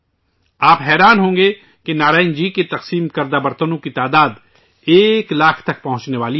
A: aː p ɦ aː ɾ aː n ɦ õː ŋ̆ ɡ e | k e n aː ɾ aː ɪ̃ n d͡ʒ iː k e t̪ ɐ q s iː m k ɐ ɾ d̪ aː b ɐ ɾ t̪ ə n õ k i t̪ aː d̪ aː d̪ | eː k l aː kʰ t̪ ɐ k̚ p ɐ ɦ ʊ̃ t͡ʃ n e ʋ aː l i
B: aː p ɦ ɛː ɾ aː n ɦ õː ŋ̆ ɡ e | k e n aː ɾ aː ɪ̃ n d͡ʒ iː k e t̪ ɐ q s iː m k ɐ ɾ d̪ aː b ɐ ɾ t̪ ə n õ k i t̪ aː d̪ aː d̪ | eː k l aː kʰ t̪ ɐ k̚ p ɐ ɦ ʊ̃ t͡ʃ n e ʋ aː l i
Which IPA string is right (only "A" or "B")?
B